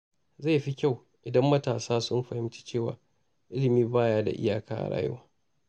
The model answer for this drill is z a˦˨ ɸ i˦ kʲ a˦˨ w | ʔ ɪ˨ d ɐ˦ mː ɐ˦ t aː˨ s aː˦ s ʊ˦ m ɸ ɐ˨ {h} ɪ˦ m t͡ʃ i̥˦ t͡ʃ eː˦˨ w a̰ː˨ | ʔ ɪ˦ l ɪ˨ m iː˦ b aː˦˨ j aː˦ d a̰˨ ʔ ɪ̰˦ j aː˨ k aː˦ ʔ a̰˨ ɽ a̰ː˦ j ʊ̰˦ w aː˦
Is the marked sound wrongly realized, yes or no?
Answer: no